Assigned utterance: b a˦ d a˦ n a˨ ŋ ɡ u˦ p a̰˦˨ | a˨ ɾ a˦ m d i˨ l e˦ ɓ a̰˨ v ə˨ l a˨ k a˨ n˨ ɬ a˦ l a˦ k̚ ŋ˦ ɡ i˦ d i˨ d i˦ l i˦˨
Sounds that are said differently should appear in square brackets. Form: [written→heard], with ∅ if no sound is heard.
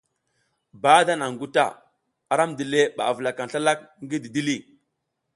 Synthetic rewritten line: b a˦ d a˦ n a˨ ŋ ɡ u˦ [p→t] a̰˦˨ | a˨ ɾ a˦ m d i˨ l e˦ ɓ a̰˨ v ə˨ l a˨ k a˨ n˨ ɬ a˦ l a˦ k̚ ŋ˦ ɡ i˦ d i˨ d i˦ l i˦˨